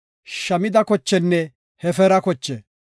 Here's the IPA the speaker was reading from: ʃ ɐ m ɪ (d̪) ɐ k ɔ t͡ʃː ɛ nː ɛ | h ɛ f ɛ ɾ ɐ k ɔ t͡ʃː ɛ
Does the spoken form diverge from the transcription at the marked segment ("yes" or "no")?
no